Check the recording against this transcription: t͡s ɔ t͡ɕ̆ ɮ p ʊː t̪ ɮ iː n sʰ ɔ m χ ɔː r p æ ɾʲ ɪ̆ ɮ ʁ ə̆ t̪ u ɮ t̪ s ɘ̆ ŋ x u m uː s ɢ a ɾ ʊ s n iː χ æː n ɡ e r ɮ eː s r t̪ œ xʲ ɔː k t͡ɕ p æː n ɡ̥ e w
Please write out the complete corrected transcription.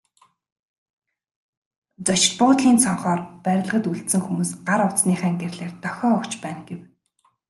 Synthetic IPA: t͡s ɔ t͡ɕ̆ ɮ p ʊː t̪ ɮ iː n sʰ ɔ ɴ χ ɔː r p æ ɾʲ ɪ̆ ɮ ʁ ə̆ t̪ u ɮ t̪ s ɘ̆ ŋ x u m uː s ɢ a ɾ ʊ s n iː χ æː ŋ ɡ e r ɮ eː r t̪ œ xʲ ɔː k t͡ɕ p æː n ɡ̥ e w